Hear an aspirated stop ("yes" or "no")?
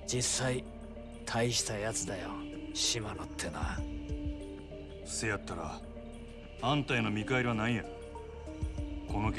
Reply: yes